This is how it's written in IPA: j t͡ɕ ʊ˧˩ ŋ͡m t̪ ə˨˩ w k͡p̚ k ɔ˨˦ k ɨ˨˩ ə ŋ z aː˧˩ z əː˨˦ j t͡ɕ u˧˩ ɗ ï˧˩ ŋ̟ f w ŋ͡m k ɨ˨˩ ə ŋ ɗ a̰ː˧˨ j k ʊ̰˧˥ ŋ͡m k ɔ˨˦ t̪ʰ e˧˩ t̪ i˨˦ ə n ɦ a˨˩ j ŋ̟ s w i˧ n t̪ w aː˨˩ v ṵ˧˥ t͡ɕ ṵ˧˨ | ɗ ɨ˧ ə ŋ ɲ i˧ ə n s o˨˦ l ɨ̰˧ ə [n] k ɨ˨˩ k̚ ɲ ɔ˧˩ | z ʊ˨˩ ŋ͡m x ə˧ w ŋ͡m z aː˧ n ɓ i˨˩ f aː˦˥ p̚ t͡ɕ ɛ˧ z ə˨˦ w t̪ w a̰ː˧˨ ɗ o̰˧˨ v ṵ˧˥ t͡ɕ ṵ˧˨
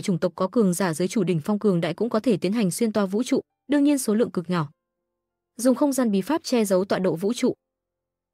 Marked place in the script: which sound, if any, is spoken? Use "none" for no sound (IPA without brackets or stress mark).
ŋ